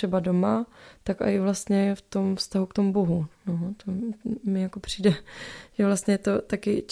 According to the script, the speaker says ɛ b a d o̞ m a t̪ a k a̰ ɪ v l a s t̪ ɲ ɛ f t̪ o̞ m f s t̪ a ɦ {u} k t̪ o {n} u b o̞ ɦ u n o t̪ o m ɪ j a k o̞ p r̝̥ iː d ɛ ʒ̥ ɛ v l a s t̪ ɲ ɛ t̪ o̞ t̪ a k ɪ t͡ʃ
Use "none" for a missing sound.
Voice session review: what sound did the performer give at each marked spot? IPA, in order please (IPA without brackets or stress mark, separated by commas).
u, m